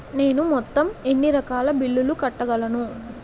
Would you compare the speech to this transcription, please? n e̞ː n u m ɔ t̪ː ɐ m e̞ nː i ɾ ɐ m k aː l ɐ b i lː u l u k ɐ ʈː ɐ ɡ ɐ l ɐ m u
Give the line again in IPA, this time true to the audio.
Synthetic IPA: n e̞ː n u m ɔ t̪ː ɐ m e̞ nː i ɾ ɐ k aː l ɐ b i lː u l u k ɐ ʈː ɐ ɡ ɐ l ɐ n u